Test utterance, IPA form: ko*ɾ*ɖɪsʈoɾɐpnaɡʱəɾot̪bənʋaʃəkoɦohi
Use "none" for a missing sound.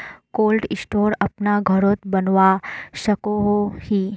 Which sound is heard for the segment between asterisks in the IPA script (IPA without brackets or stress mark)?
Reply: l